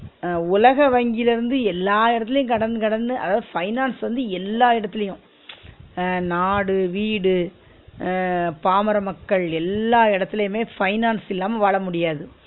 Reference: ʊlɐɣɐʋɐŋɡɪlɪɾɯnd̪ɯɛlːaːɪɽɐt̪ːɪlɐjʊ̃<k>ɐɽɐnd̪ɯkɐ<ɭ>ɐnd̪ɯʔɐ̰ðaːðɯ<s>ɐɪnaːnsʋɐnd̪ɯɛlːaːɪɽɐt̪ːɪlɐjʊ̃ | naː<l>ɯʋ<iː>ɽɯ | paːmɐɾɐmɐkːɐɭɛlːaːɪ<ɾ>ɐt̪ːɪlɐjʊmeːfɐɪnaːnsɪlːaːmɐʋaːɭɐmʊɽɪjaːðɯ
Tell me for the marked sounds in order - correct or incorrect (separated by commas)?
correct, incorrect, incorrect, incorrect, correct, incorrect